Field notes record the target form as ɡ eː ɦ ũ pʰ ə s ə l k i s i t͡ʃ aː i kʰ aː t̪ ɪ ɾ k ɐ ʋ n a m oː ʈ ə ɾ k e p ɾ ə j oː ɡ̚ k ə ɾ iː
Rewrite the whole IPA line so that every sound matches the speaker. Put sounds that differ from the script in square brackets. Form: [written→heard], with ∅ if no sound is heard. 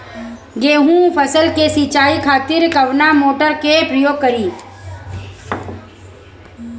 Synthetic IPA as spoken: ɡ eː ɦ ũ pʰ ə s ə l k [i→e] s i t͡ʃ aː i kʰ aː t̪ ɪ ɾ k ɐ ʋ n a m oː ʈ ə ɾ k e p ɾ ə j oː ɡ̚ k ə ɾ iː